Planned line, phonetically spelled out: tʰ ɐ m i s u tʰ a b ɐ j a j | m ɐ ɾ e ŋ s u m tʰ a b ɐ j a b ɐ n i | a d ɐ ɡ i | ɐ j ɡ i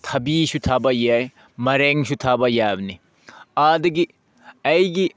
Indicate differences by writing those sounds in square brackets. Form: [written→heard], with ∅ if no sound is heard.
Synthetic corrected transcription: tʰ ɐ [m→b] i s u tʰ a b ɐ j a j | m ɐ ɾ e ŋ s u [m→∅] tʰ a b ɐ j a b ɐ n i | a d ɐ ɡ i | ɐ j ɡ i